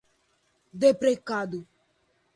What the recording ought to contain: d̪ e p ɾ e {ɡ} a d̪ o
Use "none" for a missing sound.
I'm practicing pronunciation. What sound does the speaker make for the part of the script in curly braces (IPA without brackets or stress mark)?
k